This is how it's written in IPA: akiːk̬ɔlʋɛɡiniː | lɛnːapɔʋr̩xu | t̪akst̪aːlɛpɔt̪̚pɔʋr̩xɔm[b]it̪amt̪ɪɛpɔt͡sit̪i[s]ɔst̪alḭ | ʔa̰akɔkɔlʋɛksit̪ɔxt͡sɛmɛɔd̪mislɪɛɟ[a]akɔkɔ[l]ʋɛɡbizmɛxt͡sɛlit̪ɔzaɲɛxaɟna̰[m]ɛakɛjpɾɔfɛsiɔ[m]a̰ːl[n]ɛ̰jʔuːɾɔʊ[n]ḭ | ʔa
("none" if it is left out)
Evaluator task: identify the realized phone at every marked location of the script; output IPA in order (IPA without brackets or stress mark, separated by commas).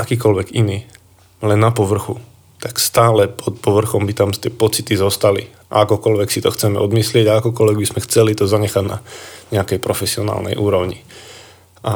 b, z, a, l, ɲ, n, n, ɲ